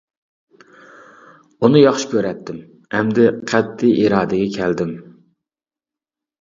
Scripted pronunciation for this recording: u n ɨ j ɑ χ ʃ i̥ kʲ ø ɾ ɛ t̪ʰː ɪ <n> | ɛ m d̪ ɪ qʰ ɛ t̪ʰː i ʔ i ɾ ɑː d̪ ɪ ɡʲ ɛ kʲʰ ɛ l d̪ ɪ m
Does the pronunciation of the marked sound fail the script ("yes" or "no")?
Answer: yes